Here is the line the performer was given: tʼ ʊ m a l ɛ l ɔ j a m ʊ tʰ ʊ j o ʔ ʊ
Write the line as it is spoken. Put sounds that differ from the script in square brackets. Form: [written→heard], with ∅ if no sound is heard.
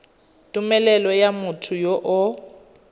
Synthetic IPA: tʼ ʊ m [a→ɛ] l ɛ l ɔ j a m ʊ tʰ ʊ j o ʔ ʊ

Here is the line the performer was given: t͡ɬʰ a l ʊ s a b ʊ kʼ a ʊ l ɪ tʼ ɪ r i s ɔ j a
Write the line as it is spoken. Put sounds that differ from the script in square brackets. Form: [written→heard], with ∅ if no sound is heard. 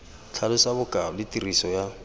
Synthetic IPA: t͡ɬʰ a l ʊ s a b ʊ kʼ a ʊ l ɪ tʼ [ɪ→i] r i s ɔ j a

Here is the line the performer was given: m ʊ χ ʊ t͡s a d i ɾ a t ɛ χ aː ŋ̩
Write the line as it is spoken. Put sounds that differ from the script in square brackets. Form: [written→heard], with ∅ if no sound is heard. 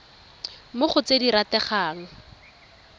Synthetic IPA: m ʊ χ ʊ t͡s [a→e] d i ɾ a t ɛ χ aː ŋ̩

